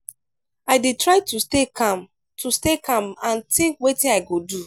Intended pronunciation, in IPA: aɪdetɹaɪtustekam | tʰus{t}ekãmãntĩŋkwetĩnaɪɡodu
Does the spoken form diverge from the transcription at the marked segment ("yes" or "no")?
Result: no